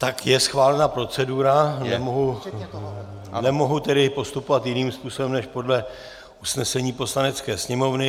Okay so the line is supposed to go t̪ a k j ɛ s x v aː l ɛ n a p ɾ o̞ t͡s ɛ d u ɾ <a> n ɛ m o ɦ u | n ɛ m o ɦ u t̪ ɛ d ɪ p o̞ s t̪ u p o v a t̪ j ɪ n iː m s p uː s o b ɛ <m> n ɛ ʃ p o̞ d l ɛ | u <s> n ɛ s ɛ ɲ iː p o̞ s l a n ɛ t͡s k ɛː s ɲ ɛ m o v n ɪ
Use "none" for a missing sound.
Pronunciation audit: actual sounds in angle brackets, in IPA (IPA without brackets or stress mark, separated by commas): a, m, s